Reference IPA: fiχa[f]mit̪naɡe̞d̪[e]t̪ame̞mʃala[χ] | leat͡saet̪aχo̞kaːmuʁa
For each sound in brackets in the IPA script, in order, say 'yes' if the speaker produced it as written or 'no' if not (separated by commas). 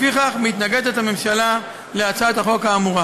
no, yes, no